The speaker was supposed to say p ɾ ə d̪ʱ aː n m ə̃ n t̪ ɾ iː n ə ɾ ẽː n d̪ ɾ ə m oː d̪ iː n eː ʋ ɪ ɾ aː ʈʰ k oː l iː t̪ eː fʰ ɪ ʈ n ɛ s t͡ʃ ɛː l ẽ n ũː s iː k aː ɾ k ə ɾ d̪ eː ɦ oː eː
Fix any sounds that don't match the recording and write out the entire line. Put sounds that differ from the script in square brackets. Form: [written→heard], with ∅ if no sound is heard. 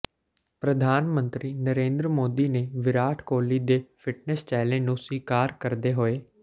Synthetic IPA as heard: p ɾ ə d̪ʱ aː n m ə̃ n t̪ ɾ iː n ə ɾ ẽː n d̪ ɾ ə m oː d̪ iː n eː ʋ ɪ ɾ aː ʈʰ k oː l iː [t̪→d̪] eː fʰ ɪ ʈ n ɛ s t͡ʃ ɛː l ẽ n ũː s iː k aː ɾ k ə ɾ d̪ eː ɦ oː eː